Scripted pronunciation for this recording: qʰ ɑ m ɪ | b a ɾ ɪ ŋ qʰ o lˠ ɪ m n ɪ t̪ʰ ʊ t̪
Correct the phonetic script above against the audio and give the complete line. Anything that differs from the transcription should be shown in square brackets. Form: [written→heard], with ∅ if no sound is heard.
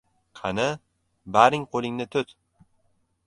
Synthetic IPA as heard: qʰ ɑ [m→n] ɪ | b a ɾ ɪ ŋ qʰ o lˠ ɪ [m→ŋ] n ɪ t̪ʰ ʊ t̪